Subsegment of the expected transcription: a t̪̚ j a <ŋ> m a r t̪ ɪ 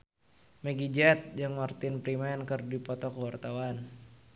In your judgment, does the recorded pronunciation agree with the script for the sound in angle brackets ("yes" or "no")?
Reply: yes